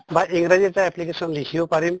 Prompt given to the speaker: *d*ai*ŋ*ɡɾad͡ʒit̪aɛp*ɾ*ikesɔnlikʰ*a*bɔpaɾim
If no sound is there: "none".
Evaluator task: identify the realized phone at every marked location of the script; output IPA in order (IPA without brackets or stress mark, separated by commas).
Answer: b, ŋ, l, i